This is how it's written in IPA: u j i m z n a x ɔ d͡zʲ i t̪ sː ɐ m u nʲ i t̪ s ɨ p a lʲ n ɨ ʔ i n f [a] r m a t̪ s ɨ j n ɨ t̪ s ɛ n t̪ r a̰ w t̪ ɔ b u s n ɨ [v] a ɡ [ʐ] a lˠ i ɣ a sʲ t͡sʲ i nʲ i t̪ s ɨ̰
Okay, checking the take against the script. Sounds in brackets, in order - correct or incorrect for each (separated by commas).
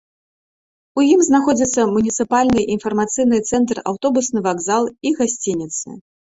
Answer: incorrect, correct, incorrect